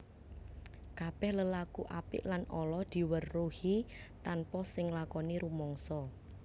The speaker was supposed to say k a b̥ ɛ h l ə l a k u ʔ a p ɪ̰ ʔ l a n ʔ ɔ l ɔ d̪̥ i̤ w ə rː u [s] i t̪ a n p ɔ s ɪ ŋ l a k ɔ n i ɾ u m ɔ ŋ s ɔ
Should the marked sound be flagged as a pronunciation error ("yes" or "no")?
yes